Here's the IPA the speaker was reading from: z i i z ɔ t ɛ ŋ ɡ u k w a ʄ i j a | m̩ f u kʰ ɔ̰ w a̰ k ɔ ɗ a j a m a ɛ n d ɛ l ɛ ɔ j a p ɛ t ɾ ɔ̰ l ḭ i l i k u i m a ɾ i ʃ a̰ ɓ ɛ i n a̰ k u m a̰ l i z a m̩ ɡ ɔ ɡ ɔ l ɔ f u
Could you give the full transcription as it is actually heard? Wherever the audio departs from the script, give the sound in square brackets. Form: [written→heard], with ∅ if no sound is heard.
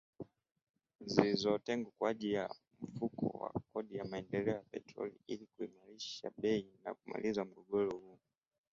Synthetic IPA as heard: z i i z ɔ t ɛ ŋ ɡ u k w a ʄ i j a | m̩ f u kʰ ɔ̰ w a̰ k ɔ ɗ [a→i] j a m a ɛ n d ɛ l ɛ ɔ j a p ɛ t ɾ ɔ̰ l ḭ i l i k u i m a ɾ i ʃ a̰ ɓ ɛ i n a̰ k u m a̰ l i z a m̩ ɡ ɔ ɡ ɔ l ɔ [f→h] u